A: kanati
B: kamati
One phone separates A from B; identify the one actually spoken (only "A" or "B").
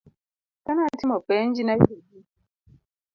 A